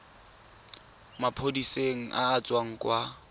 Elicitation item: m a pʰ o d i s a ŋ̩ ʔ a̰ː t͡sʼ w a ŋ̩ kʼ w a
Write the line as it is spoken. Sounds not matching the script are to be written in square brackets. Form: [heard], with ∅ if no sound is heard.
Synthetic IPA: m a pʰ o d i s [e] ŋ̩ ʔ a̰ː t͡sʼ w a ŋ̩ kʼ w a